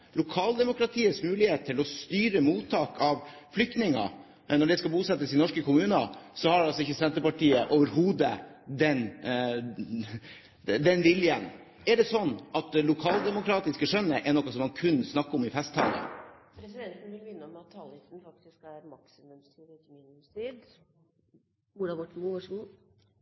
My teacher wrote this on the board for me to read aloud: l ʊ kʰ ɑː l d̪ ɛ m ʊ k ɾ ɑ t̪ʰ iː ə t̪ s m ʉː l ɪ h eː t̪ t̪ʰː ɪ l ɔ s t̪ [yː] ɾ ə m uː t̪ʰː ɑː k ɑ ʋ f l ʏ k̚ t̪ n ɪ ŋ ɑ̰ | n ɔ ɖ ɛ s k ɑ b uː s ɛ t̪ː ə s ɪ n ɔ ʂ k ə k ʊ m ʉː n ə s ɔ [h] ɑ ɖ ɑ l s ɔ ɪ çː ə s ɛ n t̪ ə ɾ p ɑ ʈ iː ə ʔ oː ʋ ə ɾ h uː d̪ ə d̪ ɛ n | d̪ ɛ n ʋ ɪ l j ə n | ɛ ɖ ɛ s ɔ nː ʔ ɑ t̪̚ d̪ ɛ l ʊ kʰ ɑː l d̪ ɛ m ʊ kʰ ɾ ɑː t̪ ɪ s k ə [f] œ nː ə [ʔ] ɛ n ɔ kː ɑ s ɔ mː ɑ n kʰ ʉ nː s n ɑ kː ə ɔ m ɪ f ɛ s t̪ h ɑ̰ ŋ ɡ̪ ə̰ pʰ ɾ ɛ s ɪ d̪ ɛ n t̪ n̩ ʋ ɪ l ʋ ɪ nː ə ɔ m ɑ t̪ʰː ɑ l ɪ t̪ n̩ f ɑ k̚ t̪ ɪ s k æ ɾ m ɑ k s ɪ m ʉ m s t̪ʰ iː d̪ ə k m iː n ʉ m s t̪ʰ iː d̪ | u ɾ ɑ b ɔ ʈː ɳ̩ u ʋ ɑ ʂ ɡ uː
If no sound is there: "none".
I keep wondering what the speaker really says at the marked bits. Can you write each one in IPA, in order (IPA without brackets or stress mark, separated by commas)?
yː, h, ʂ, ʔ